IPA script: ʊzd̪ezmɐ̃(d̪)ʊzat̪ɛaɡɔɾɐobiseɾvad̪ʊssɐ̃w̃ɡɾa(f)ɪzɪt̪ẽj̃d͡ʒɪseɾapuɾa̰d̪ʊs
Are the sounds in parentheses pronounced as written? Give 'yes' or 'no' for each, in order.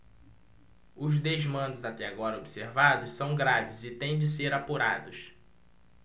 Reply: yes, no

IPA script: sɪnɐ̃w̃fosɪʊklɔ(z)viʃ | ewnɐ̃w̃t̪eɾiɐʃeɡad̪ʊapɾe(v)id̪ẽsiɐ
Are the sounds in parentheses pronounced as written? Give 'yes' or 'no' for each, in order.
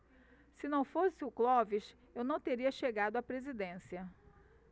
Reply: no, no

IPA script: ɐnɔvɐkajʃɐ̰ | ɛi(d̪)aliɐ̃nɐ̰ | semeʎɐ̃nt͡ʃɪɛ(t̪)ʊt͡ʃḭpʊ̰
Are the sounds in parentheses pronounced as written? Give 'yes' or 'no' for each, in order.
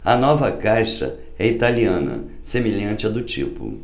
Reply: no, no

